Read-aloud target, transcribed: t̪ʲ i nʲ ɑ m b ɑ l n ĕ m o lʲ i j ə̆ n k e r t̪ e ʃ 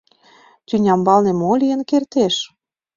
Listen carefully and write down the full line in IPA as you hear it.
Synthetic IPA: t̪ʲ y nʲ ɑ m b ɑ l n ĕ m o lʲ i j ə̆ n k e r t̪ e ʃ